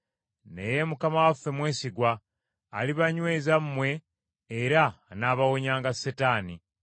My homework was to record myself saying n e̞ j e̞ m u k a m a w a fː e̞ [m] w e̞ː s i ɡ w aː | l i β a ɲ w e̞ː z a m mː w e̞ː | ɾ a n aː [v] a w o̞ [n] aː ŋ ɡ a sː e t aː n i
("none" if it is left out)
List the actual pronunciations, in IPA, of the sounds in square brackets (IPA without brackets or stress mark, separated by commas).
m, β, ɲ